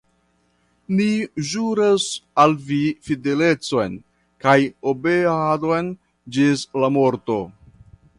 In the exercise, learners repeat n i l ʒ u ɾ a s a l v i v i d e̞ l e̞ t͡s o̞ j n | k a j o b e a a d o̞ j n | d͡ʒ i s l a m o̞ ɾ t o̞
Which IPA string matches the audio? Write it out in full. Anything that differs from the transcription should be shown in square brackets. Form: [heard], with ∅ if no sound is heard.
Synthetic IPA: n i [∅] ʒ u ɾ a s a l v i [f] i d e̞ l e̞ t͡s o̞ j n | k a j o b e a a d o̞ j n | d͡ʒ i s l a m o̞ ɾ t o̞